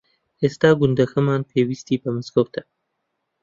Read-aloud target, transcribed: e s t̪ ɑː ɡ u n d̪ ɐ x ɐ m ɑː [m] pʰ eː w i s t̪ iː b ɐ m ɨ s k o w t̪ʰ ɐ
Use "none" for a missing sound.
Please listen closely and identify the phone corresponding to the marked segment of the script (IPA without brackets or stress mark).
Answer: n